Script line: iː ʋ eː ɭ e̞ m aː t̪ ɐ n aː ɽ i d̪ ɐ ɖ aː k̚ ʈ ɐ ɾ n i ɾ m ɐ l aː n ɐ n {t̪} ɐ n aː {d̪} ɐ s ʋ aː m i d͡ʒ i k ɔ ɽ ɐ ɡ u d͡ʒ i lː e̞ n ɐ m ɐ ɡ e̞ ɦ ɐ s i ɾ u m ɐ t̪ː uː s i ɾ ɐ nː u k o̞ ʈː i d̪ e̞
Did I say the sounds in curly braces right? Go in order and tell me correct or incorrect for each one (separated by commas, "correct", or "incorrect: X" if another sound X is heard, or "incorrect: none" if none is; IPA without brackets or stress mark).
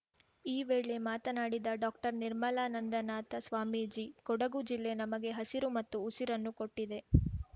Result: incorrect: d̪, incorrect: t̪